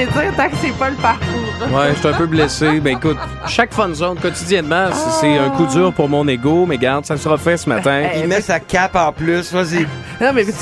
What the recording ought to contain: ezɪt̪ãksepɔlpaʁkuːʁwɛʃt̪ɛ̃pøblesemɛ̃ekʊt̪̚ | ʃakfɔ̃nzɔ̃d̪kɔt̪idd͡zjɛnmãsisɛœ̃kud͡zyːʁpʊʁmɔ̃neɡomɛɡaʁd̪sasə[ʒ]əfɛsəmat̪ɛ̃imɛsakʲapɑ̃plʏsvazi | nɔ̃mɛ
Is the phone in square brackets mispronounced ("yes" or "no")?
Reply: yes